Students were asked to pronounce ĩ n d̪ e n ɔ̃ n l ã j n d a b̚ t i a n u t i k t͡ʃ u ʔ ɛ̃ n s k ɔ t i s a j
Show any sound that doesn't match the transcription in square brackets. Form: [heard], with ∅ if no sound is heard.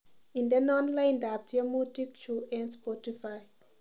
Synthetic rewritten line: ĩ n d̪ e n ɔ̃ n l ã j n d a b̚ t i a [m] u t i k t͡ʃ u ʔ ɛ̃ n s [p] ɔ t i [f] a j